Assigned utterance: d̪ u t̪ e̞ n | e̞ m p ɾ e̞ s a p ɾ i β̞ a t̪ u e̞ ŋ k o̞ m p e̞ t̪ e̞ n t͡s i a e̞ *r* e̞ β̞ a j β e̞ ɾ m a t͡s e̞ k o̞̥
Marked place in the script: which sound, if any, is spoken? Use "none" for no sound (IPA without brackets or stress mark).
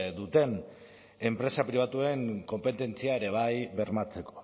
ɾ